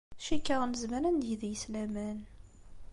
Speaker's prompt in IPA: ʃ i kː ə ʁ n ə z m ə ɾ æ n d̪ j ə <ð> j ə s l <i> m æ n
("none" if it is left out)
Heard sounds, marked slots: ð, æ

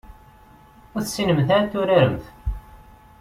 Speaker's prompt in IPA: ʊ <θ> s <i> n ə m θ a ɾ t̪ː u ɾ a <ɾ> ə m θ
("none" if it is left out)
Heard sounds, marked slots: θ, i, ɾ

